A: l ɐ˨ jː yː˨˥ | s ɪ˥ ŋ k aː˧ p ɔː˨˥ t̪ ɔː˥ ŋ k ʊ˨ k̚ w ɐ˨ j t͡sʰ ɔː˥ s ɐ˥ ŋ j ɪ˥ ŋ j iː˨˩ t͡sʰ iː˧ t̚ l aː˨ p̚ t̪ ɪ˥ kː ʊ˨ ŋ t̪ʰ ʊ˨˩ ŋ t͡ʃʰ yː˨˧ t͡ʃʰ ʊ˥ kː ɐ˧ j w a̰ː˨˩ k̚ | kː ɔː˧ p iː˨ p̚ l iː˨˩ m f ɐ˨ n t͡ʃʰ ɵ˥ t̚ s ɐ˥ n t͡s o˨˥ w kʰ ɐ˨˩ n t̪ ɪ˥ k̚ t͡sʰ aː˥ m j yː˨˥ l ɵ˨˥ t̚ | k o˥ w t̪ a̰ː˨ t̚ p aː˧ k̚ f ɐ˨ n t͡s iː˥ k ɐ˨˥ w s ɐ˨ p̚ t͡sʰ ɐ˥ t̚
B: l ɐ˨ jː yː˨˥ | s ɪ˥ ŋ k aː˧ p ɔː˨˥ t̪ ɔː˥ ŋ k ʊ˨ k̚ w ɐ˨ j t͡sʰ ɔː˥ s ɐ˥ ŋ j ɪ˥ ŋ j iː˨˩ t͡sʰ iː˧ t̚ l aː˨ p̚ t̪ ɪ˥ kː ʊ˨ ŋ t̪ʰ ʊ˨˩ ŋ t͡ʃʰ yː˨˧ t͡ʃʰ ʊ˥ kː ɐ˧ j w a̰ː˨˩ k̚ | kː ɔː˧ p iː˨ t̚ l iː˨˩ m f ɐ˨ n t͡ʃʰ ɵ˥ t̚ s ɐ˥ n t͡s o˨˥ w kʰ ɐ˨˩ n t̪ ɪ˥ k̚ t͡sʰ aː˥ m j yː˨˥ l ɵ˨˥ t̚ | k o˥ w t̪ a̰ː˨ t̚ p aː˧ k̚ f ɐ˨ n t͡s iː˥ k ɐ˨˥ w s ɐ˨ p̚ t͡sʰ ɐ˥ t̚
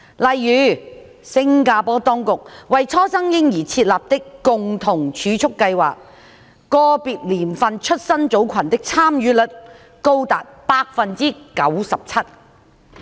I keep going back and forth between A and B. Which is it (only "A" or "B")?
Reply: B